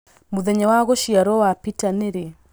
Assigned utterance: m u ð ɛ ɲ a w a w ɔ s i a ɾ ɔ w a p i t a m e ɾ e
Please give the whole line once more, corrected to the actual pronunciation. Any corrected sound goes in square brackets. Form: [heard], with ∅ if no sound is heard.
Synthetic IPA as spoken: m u ð ɛ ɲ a w a [ɣ] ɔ [ʃ] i a ɾ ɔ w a p i t a [n] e ɾ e